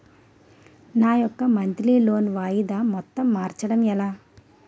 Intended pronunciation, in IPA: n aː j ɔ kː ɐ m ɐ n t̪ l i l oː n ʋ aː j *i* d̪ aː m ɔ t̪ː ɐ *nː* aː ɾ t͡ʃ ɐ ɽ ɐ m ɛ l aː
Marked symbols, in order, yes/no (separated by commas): yes, no